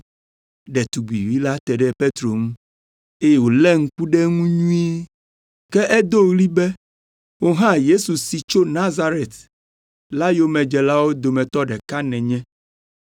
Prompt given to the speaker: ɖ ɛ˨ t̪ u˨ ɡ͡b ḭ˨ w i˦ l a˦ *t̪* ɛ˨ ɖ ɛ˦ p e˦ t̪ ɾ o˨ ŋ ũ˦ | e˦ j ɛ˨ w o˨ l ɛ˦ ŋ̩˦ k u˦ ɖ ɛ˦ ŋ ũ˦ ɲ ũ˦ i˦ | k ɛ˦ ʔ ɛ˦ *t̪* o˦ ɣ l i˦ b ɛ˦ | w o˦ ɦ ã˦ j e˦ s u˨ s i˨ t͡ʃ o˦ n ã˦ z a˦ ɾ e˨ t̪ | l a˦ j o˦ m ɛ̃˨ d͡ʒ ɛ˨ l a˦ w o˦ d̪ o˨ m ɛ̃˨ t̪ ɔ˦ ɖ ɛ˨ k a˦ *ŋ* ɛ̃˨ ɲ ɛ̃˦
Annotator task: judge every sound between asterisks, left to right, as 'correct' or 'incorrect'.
correct, incorrect: d̪, incorrect: n

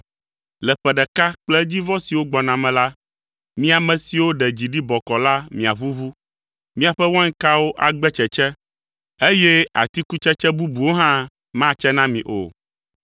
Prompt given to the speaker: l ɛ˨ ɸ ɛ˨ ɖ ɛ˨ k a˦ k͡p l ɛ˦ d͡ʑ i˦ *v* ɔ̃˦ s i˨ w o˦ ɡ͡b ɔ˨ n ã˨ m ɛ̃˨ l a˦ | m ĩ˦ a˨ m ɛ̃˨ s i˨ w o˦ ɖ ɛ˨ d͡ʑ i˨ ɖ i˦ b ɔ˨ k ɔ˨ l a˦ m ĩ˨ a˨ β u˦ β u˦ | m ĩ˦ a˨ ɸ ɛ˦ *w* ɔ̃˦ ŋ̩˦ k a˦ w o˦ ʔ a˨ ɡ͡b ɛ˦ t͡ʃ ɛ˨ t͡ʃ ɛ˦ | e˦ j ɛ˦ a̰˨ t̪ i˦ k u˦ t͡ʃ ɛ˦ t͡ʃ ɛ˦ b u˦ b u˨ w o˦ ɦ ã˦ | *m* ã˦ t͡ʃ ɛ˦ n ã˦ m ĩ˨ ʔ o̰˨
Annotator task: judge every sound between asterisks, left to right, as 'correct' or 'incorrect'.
correct, correct, correct

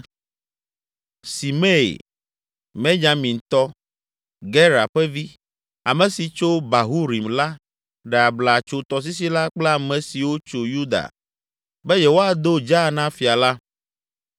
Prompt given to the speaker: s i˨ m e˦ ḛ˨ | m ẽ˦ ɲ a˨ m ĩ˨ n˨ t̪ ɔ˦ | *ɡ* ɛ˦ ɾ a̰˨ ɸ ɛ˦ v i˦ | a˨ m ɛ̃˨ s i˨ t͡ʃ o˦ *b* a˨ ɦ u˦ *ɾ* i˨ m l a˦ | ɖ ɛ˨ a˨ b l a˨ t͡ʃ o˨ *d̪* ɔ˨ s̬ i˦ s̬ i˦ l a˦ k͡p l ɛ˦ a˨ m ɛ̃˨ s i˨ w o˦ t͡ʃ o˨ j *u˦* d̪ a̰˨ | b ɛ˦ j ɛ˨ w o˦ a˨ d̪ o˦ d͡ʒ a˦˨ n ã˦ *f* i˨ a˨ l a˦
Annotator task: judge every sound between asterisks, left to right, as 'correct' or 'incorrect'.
correct, correct, correct, incorrect: t̪, correct, correct

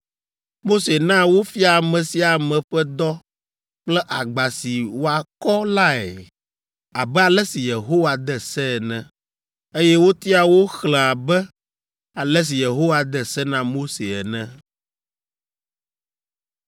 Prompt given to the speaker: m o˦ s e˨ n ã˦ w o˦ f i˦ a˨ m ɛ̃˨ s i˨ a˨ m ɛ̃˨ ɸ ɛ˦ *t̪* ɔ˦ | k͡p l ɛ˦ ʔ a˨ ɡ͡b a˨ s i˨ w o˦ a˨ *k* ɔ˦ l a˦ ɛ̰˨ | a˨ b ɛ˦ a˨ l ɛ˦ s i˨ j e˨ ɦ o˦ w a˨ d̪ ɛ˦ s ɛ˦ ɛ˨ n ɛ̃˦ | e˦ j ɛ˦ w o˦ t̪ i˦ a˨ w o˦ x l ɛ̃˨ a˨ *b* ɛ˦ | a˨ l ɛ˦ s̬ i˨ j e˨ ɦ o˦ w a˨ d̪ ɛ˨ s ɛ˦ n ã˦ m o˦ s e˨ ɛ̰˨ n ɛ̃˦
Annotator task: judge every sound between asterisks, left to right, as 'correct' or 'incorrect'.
incorrect: d̪, correct, correct

